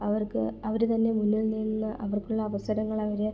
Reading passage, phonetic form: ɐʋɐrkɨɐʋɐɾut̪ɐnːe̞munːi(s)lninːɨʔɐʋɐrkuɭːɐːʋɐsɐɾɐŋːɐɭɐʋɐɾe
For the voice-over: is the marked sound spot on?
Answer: no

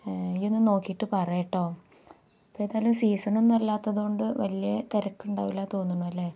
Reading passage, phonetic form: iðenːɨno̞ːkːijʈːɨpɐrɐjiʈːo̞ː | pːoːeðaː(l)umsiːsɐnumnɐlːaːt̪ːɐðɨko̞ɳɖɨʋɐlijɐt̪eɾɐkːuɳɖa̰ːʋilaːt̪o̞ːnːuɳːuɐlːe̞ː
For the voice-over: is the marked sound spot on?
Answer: yes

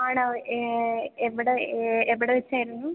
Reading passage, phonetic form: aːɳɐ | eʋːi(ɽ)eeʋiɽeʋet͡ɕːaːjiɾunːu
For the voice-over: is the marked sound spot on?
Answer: yes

